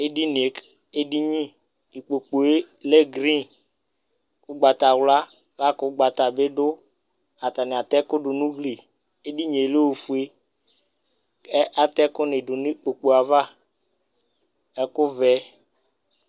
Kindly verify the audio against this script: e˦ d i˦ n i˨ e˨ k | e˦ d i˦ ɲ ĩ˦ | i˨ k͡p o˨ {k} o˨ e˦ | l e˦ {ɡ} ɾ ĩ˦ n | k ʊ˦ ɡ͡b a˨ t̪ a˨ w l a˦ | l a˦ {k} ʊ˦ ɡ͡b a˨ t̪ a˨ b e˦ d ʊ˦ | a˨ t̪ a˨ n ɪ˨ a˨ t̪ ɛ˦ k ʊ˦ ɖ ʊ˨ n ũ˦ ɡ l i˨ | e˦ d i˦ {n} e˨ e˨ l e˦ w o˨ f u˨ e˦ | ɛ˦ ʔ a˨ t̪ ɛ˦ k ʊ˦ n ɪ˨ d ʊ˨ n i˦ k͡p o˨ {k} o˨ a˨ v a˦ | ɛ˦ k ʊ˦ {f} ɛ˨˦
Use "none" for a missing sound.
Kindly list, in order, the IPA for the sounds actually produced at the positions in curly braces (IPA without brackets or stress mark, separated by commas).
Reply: k͡p, ɡ, k, ɲ, k͡p, v